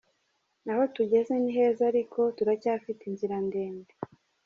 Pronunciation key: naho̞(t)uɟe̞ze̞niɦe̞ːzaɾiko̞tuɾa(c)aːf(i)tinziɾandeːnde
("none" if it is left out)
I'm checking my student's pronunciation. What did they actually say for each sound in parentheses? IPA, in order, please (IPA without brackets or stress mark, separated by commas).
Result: t, c, i